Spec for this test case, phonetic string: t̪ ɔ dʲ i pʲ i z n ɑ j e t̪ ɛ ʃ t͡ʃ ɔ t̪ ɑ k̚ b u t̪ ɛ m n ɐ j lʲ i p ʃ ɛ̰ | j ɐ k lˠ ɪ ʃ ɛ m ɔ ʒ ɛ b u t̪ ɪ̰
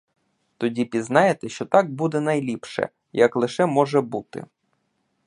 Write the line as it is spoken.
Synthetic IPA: t̪ ɔ dʲ i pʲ i z n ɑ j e t̪ ɛ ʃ t͡ʃ ɔ t̪ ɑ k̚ b u d̪ ɛ n ɐ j lʲ i p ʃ ɛ̰ | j ɐ k lˠ ɪ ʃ ɛ m ɔ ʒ ɛ b u t̪ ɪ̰